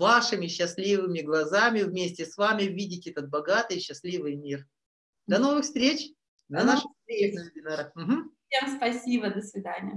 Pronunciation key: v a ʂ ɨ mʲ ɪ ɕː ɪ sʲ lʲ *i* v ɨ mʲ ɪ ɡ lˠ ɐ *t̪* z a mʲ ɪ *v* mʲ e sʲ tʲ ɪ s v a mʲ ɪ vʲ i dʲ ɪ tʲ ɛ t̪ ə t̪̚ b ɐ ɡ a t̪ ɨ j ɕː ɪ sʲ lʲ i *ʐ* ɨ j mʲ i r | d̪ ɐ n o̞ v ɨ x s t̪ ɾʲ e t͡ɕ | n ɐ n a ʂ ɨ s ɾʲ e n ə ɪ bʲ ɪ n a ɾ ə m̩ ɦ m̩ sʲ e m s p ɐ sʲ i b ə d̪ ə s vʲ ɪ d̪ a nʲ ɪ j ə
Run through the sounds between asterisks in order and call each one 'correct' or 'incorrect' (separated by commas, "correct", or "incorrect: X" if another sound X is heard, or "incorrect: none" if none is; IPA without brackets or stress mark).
correct, incorrect: none, correct, incorrect: v